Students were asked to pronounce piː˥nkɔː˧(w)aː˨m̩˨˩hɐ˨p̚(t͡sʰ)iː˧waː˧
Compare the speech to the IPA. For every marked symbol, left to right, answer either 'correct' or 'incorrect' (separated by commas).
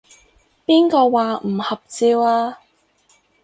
correct, incorrect